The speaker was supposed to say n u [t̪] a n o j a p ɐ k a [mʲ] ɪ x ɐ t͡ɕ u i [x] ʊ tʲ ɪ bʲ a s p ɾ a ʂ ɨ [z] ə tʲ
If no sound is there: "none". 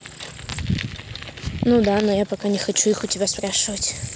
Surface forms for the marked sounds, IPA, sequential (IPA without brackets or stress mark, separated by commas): d̪, nʲ, x, v